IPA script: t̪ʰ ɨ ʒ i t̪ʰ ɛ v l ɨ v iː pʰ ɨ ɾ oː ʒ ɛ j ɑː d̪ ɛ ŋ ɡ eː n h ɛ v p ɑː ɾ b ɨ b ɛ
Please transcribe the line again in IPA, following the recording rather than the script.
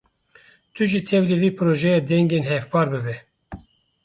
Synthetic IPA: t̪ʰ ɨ ʒ i t̪ʰ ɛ v l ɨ v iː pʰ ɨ ɾ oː ʒ ɛ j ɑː d̪ ɛ ŋ ɡ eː n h ɛ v p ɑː ɾ b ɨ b ɛ